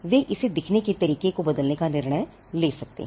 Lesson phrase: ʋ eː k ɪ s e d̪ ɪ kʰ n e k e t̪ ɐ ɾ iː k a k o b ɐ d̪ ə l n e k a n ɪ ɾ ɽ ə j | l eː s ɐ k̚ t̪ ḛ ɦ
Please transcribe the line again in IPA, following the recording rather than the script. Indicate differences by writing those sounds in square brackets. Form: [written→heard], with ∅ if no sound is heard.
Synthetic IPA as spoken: ʋ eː [k→ʔ] ɪ s e d̪ ɪ kʰ n e k e t̪ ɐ ɾ iː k [a→e] k o b ɐ d̪ ə l n e k a n ɪ ɾ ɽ ə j | l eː s ɐ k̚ t̪ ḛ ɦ